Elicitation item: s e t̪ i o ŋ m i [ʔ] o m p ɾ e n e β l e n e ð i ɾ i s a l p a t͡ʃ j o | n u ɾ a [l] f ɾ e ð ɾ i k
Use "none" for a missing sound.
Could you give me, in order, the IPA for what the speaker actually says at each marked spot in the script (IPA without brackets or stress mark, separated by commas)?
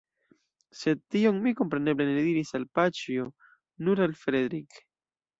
k, l